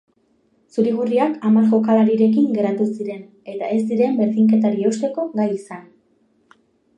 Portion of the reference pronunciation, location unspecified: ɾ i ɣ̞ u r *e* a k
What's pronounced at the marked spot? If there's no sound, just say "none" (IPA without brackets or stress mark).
i